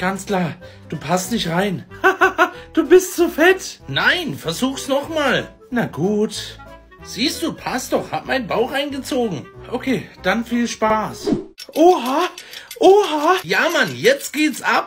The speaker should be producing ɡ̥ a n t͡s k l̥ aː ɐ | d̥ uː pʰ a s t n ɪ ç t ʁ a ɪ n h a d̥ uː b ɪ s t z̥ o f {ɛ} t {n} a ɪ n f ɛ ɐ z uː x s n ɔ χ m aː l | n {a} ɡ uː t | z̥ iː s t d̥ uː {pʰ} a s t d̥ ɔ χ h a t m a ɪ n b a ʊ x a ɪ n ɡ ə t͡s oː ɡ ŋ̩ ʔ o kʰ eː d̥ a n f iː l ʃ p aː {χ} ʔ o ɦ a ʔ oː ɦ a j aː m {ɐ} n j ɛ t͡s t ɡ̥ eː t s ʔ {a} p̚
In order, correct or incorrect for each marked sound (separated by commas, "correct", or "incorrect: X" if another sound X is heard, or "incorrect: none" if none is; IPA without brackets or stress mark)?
correct, correct, correct, correct, incorrect: s, incorrect: a, correct